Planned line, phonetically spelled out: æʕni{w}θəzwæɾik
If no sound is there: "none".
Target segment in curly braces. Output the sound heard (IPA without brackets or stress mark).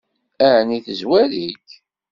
none